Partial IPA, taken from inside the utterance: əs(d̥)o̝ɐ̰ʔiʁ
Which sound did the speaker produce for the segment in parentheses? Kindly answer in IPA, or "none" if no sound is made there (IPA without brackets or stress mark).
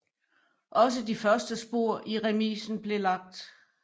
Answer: b̥